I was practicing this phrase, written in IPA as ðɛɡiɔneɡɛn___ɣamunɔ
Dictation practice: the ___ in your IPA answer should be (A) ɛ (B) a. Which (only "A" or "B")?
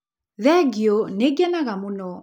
B